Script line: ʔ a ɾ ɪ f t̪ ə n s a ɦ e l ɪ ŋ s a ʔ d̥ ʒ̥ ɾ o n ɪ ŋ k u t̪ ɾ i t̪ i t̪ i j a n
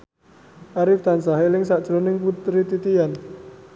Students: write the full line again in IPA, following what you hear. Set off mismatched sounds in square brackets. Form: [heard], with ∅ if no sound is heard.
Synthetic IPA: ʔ a ɾ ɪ f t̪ [a] n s a ɦ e l ɪ ŋ s a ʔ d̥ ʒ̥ ɾ o n ɪ ŋ [p] u t̪ ɾ i t̪ i t̪ i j a n